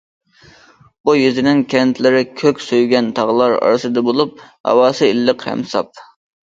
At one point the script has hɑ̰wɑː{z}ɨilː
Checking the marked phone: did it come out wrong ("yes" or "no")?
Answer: yes